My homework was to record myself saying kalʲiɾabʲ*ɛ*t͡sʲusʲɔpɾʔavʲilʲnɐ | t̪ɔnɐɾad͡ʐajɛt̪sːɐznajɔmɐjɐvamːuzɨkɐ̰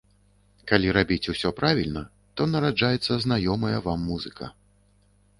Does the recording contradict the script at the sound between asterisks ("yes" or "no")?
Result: yes